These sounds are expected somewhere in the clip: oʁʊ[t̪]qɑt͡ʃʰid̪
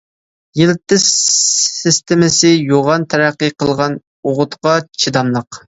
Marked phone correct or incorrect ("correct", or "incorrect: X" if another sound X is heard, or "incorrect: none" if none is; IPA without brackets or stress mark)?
correct